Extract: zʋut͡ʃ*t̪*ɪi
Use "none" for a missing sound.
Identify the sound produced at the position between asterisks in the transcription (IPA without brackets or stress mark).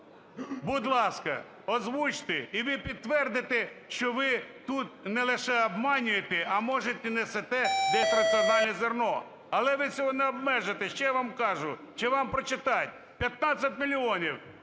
t̪